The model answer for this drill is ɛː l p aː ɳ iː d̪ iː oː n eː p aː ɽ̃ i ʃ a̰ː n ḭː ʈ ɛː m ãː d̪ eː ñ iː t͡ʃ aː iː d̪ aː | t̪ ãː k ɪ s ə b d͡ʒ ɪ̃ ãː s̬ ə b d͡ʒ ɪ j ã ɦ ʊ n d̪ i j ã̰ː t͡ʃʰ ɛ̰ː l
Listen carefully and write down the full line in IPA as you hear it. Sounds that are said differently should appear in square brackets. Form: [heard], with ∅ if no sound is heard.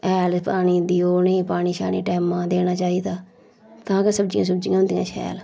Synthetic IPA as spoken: ɛː l p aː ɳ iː d̪ iː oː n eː p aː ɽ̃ [iː] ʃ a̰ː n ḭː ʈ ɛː m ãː d̪ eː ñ [aː] t͡ʃ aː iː d̪ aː | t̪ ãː k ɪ s ə b d͡ʒ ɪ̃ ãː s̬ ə b d͡ʒ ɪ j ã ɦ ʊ n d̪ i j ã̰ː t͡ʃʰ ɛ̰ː l